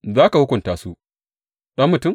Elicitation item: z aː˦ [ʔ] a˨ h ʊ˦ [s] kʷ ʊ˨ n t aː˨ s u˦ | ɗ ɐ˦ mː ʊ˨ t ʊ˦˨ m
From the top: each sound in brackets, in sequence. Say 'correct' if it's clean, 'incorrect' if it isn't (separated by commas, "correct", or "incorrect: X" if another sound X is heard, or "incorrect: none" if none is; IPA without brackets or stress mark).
incorrect: k, incorrect: none